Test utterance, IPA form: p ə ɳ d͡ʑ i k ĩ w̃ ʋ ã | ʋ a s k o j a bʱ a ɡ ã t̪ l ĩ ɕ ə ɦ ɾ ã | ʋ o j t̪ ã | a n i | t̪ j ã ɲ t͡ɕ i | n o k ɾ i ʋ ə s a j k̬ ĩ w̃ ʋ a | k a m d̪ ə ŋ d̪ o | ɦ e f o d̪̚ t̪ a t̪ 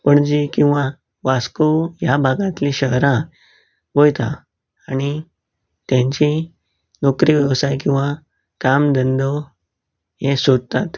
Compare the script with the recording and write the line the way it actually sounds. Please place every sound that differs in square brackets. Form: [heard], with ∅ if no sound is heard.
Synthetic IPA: p ə ɳ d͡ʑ i k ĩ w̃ ʋ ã | ʋ a s k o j a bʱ a ɡ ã t̪ l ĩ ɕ ə ɦ ɾ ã | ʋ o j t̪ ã | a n i | t̪ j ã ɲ t͡ɕ i | n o k ɾ i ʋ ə s a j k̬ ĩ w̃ ʋ a | k a m d̪ ə [n] d̪ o | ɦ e [s] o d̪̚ t̪ a t̪